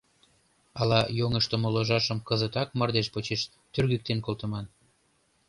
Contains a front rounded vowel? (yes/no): yes